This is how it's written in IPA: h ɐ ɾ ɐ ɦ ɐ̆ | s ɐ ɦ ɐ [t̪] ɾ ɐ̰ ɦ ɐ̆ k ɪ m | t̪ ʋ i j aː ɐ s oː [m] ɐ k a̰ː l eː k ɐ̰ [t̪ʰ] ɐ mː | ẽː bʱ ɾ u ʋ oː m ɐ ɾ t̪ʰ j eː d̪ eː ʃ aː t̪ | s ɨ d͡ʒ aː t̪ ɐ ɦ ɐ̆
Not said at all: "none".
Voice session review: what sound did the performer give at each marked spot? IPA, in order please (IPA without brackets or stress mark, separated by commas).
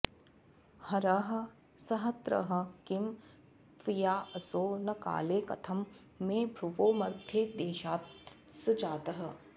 t̪, n, t̪ʰ